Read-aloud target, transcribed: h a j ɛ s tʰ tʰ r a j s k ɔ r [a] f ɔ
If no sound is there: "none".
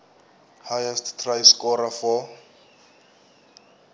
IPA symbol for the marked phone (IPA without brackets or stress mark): a